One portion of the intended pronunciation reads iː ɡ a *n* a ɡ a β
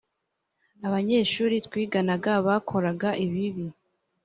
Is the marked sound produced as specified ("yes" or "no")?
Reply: yes